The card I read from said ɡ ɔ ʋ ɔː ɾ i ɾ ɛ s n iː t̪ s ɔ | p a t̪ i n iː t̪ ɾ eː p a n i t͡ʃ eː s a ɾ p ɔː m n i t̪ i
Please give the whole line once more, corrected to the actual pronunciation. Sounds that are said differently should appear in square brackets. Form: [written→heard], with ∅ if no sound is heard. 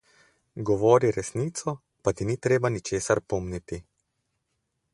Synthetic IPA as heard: ɡ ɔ ʋ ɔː ɾ i ɾ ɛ s n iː t̪ s ɔ | p a t̪ i n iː t̪ ɾ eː [p→b] a n i t͡ʃ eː s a ɾ p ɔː m n i t̪ i